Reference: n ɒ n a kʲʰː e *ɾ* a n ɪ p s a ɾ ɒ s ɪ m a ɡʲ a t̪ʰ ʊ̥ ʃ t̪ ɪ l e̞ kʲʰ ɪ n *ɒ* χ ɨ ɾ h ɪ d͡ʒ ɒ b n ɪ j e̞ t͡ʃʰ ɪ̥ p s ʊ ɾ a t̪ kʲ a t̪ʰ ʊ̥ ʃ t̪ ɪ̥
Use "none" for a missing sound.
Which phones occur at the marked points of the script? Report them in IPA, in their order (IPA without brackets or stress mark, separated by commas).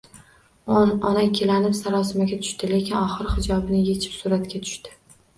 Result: l, ɒ